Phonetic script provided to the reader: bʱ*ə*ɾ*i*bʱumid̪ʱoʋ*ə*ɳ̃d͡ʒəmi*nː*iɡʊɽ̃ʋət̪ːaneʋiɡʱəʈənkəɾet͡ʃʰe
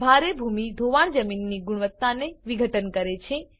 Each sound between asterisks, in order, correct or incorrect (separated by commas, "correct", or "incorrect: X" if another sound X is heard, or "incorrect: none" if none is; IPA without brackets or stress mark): incorrect: a, incorrect: e, incorrect: a, correct